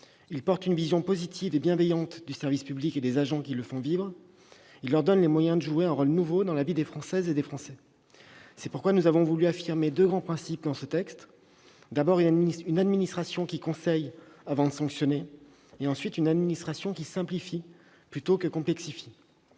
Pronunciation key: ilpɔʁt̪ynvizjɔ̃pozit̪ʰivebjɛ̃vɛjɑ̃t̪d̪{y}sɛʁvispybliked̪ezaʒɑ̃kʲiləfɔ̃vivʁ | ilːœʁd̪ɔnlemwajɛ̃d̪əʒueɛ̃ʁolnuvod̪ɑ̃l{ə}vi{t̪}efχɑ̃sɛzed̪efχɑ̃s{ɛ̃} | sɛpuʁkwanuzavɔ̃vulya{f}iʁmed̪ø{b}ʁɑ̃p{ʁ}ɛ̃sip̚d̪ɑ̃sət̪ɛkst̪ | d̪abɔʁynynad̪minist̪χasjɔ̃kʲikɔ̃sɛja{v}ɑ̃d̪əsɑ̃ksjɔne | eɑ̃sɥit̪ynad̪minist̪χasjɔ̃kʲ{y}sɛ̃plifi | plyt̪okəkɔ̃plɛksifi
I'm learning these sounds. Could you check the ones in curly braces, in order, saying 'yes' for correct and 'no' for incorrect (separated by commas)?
yes, no, no, no, yes, no, no, yes, no